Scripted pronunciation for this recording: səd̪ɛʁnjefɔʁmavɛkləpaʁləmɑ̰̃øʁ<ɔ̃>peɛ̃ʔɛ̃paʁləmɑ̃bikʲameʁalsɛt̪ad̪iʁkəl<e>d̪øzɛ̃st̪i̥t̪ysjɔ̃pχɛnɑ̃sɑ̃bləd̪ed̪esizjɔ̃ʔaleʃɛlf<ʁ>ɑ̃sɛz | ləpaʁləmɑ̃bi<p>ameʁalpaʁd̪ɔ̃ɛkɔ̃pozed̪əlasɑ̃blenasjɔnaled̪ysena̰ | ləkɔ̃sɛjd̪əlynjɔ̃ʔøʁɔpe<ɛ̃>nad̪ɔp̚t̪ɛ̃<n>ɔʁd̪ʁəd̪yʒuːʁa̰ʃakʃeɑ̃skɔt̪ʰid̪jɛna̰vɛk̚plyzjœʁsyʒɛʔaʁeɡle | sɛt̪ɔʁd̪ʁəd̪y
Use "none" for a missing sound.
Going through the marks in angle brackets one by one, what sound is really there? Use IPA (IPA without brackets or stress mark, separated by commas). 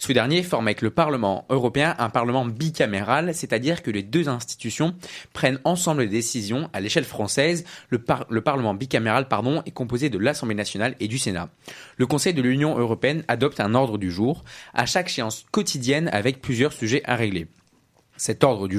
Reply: ɔ, e, χ, k, ɛ, n